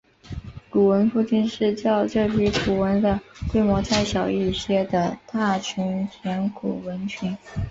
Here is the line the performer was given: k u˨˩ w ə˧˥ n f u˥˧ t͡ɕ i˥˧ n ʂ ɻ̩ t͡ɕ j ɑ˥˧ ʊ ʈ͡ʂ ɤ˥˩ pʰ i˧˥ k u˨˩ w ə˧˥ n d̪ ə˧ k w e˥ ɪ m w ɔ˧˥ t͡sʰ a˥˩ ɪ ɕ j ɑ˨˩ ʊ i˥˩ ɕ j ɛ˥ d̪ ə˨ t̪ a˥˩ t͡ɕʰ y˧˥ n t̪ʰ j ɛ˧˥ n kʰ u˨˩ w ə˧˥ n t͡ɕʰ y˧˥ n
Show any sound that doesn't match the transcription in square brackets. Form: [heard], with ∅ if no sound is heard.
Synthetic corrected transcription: k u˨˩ w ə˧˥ n f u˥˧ t͡ɕ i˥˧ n ʂ ɻ̩ t͡ɕ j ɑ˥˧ ʊ ʈ͡ʂ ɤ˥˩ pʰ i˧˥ k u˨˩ w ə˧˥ n d̪ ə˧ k w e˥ ɪ m w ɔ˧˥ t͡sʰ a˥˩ ɪ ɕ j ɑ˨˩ ʊ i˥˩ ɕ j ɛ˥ d̪ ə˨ t̪ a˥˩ t͡ɕʰ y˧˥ n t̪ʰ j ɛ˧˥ n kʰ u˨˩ w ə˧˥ n t͡ɕʰ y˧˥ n